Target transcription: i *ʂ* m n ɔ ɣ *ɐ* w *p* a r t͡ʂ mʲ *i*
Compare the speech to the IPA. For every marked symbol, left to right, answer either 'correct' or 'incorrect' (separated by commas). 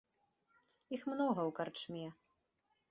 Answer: incorrect, correct, incorrect, incorrect